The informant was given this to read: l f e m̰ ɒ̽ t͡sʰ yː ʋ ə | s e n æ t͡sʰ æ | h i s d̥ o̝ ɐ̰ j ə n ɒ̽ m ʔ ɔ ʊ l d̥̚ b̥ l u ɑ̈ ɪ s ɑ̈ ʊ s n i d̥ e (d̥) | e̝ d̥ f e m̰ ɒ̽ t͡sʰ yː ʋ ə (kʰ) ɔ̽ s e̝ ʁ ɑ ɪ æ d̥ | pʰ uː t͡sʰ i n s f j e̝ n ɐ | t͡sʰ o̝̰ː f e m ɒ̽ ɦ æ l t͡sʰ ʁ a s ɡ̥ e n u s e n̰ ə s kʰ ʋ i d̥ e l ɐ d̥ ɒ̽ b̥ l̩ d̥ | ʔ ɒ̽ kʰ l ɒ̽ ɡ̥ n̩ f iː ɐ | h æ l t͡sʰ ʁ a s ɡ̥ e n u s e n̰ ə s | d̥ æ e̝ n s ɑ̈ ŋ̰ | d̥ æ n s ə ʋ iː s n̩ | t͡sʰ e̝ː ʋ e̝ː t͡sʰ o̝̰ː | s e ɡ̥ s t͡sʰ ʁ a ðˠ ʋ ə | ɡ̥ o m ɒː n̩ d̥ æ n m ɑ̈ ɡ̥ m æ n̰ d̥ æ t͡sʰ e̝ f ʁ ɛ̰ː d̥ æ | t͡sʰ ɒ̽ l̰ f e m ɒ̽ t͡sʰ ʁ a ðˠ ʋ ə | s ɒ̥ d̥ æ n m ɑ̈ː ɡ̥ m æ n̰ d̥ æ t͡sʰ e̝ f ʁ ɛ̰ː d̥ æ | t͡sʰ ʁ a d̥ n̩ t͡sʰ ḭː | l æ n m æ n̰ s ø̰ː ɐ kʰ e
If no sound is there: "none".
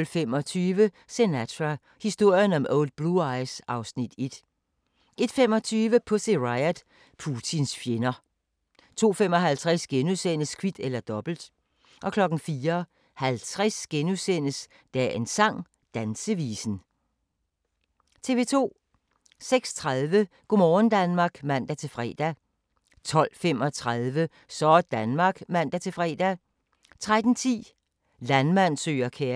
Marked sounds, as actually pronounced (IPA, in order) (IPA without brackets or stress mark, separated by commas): d̥, pʰ